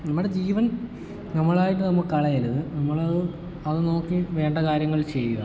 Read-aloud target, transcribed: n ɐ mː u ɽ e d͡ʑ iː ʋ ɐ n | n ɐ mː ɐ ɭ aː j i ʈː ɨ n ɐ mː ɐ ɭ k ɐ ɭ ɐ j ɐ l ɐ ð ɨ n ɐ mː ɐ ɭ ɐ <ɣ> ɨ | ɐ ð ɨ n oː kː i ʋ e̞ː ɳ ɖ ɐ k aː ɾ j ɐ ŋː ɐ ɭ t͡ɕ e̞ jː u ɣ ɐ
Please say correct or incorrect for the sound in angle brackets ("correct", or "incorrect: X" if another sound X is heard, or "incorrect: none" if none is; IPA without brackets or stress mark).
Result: incorrect: ð